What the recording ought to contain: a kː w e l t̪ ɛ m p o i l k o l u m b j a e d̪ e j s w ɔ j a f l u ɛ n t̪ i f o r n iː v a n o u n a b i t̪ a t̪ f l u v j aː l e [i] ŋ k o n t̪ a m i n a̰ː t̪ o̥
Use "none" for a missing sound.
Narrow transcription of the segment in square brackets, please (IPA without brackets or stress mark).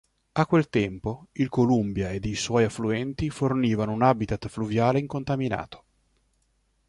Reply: i